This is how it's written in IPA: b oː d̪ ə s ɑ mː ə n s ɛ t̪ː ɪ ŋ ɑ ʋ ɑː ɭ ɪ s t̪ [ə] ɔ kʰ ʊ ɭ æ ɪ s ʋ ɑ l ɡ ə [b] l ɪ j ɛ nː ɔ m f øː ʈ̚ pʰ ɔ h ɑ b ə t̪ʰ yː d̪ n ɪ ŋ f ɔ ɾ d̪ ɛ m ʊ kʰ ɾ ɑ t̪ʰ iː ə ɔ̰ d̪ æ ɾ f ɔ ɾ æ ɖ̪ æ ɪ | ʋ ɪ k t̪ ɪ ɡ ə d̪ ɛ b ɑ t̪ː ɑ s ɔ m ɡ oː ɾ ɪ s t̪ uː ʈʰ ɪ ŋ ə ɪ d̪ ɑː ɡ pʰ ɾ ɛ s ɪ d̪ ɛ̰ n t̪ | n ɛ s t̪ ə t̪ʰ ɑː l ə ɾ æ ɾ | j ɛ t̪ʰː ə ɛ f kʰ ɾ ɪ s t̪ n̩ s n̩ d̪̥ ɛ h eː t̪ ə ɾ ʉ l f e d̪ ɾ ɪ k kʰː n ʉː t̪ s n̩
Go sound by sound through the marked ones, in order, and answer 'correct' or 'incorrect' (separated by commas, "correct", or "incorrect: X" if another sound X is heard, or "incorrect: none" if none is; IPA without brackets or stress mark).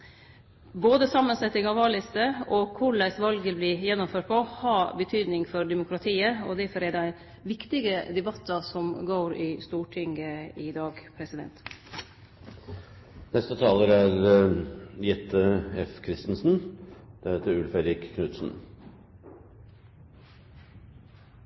correct, correct